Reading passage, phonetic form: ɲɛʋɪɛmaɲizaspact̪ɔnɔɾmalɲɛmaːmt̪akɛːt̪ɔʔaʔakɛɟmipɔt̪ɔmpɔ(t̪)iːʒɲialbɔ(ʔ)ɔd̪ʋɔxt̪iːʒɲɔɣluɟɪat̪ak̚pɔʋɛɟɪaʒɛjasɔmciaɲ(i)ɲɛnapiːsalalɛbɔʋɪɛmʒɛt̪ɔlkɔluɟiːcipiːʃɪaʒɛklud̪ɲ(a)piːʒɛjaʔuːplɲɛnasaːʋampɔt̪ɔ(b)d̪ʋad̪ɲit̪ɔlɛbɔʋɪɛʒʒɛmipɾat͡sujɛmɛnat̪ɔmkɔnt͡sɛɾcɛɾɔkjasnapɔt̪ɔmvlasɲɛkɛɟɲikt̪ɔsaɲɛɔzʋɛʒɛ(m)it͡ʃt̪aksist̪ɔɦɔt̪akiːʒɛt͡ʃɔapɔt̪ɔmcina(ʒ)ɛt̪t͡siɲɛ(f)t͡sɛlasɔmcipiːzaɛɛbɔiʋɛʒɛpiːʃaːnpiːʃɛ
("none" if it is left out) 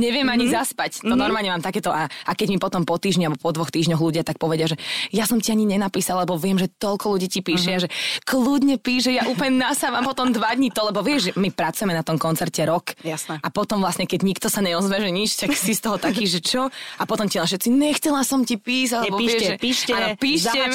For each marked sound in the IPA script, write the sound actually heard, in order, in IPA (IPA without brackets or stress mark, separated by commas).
t̪, p, i, ɛ, m, ɲ, ʃ, x